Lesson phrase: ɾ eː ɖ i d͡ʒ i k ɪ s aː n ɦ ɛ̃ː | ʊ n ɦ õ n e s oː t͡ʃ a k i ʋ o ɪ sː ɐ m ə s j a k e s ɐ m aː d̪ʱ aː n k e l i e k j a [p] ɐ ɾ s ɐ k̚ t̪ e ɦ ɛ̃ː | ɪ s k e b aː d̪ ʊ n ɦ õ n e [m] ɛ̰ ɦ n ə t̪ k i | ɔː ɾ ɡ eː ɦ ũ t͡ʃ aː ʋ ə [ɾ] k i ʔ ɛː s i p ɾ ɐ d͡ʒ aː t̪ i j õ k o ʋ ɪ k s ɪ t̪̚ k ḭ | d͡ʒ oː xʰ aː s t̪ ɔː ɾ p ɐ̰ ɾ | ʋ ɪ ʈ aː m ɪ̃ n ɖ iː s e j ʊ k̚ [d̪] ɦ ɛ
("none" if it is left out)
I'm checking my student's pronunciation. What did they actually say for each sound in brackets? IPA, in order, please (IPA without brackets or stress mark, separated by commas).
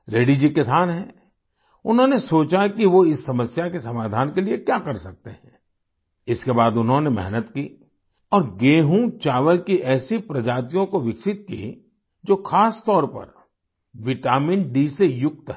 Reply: k, m, l, t̪